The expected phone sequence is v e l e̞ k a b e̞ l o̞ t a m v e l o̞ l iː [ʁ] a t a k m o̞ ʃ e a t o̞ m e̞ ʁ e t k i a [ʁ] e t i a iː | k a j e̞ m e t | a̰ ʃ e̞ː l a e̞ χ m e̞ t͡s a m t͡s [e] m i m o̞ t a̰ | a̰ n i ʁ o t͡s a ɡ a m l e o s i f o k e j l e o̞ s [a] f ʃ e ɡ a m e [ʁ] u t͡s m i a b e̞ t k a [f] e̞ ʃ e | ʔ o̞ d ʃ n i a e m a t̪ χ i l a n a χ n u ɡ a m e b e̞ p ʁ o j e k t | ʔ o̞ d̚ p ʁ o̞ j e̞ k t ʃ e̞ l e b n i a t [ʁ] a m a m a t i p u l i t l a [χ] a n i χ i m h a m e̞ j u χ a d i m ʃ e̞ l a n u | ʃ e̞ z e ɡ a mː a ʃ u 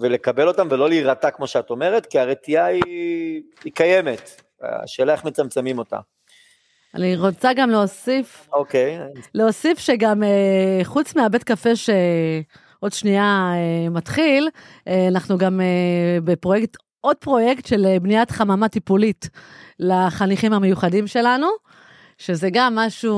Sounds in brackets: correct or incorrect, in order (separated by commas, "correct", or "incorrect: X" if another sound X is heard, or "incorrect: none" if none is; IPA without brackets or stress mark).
correct, correct, correct, incorrect: i, incorrect: χ, correct, incorrect: χ, correct